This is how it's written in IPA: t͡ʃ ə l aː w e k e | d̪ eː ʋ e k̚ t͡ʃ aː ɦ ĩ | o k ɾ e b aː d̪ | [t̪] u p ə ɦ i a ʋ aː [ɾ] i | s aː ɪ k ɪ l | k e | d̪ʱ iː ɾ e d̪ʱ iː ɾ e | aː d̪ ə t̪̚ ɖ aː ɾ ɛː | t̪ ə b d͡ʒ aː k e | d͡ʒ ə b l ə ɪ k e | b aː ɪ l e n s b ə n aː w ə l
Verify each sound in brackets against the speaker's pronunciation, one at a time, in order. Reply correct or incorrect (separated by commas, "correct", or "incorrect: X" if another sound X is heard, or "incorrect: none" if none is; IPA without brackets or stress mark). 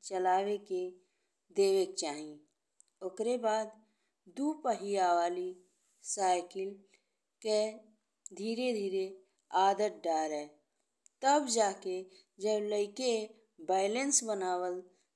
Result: incorrect: d̪, incorrect: l